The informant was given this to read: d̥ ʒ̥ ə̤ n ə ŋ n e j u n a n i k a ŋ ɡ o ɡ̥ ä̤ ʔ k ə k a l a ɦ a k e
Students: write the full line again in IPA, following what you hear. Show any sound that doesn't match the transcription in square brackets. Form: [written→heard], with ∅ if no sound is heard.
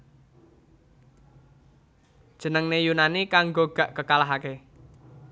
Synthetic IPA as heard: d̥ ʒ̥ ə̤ n ə ŋ n e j u n a n i k a ŋ ɡ o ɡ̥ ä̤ ʔ k ə k a l a ɦ a k e